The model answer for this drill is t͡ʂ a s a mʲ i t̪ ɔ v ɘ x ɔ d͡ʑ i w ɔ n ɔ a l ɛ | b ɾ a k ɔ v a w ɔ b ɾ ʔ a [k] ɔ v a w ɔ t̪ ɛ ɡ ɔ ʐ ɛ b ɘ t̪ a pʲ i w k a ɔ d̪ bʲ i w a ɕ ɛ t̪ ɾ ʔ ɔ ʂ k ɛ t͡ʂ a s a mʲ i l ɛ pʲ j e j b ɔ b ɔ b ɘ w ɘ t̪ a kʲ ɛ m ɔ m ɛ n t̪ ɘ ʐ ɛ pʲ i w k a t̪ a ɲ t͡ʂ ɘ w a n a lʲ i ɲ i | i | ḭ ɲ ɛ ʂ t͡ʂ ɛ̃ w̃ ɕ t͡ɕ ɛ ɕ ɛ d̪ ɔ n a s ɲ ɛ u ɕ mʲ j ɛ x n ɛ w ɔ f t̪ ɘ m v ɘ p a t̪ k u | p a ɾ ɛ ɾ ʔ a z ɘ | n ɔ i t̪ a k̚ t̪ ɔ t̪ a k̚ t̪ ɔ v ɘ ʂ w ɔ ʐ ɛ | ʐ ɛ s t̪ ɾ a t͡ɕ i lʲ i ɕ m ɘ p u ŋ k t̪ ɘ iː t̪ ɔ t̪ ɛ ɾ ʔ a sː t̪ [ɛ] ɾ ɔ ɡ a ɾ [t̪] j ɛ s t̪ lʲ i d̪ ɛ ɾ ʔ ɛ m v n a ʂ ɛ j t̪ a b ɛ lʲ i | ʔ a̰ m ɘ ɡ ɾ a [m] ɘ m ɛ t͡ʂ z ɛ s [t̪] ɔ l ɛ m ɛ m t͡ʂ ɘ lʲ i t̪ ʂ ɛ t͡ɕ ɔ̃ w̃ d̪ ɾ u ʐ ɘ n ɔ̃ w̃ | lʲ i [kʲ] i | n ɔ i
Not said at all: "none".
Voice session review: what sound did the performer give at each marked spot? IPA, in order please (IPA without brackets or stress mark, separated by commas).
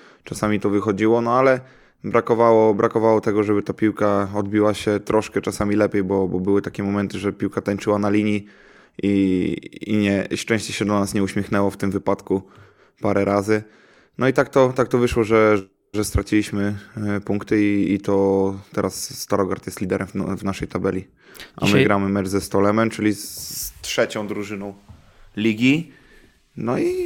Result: k, a, t̪, m, t̪, ɡʲ